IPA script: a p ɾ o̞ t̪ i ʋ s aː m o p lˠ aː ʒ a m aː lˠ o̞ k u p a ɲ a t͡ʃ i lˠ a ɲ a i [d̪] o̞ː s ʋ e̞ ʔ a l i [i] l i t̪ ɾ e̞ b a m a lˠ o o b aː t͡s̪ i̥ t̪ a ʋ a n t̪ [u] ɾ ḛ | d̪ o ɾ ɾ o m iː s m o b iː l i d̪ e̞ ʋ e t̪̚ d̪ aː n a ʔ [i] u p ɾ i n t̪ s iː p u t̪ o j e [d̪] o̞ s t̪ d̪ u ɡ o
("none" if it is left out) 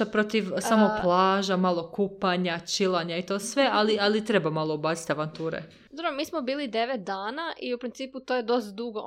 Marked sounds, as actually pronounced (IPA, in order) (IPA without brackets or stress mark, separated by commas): t̪, a, uː, i, d̪